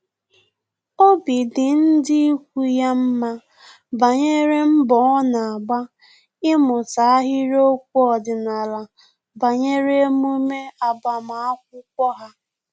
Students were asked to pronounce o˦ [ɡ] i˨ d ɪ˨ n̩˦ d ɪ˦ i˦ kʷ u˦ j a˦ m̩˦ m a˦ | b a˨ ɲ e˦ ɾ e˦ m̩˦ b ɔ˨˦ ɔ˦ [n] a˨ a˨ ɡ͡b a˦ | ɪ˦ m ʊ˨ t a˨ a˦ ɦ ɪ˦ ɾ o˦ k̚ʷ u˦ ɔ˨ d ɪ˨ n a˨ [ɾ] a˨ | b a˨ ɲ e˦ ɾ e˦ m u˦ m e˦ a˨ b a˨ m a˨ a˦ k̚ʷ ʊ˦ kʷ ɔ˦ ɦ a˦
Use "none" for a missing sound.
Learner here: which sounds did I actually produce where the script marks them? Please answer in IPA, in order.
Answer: b, n, l

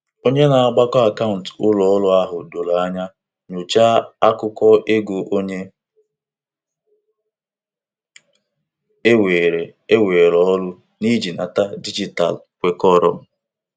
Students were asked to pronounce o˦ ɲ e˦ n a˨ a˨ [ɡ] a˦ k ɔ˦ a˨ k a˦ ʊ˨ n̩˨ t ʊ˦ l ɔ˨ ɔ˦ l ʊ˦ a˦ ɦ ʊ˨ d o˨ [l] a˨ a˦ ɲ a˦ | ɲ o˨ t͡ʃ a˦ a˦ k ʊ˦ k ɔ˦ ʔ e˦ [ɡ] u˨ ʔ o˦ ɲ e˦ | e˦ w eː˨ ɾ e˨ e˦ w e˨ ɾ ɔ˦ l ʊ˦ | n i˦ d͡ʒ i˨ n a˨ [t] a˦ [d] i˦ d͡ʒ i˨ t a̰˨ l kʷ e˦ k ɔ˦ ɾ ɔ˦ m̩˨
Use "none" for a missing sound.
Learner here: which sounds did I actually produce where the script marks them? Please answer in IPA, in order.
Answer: ɡ͡b, l, ɡ, t, d

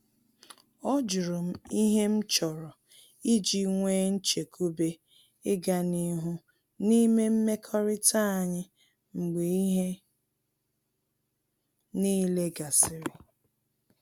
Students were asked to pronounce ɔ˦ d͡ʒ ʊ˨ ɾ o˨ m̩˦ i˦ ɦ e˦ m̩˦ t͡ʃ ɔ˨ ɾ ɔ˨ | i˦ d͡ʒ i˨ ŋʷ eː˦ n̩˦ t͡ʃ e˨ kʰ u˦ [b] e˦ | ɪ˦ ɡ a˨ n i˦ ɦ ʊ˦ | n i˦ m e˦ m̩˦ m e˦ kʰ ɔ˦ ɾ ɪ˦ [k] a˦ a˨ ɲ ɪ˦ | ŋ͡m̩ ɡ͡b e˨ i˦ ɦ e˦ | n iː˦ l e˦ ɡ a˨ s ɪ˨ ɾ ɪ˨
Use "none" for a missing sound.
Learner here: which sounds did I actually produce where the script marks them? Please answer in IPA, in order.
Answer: b, t

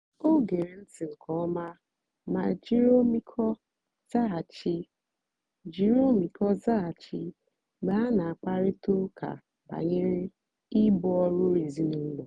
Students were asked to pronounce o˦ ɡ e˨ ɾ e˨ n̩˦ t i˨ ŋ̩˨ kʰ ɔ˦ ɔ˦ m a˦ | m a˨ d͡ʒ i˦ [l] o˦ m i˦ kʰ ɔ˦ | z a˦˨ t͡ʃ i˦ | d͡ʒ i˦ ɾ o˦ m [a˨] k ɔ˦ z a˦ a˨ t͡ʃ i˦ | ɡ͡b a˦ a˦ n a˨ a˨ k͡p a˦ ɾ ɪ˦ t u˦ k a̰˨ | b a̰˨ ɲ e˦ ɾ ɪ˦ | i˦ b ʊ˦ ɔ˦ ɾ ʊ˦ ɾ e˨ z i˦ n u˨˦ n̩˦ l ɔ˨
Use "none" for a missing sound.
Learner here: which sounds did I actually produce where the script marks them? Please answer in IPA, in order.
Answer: ɾ, i˨

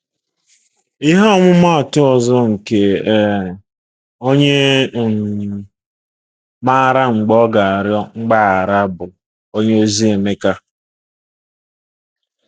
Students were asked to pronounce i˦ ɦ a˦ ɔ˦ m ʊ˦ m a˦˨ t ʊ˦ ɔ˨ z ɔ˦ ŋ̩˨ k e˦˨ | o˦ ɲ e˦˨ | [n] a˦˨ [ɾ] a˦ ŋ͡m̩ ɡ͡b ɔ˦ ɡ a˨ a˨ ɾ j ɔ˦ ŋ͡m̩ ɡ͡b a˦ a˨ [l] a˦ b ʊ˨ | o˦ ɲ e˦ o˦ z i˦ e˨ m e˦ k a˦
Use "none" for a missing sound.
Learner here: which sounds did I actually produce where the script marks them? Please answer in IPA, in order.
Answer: m, ɾ, ɾ

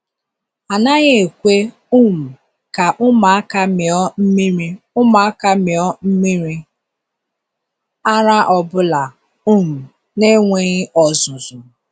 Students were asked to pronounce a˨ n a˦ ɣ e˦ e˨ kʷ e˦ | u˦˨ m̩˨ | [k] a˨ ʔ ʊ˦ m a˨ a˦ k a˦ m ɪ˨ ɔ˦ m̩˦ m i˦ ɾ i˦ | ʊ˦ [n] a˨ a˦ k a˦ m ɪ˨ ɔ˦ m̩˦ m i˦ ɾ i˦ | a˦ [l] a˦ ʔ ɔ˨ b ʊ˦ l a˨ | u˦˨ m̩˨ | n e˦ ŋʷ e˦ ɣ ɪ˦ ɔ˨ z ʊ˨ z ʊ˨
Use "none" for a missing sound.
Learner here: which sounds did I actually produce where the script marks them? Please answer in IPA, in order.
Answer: k, m, ɾ

